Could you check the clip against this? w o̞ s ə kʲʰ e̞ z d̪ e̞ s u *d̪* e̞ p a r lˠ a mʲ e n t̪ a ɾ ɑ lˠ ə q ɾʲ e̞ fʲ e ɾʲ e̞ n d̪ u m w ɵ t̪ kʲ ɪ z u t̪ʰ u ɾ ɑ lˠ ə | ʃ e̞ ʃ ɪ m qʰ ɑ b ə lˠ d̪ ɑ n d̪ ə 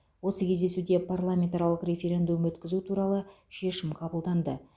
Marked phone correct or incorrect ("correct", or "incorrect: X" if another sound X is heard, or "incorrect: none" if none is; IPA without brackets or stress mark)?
correct